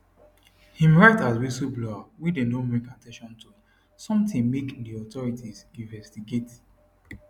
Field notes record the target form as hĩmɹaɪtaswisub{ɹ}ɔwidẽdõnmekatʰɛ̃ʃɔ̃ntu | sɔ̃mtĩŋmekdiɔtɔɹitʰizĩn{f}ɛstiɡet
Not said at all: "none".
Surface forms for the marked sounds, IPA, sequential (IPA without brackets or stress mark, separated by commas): l, v